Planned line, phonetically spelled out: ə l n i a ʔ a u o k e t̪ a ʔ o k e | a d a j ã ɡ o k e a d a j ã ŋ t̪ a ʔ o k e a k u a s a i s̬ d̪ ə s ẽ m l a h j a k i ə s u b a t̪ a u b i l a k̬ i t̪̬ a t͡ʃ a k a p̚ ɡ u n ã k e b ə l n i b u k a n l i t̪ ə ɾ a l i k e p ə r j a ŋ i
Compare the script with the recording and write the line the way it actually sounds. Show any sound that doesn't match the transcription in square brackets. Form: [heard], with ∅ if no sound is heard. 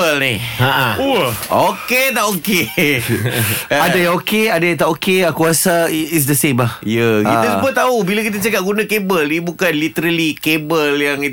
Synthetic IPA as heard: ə l n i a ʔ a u o k e t̪ a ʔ o k e | a d a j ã [ŋ] o k e a d a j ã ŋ t̪ a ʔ o k e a k u a s a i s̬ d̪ ə s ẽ m l a h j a k i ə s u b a t̪ a u b i l a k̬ i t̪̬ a t͡ʃ a k a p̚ ɡ u n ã k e b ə l n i b u k a n l i t̪ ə ɾ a l i k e [b] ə [l] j a ŋ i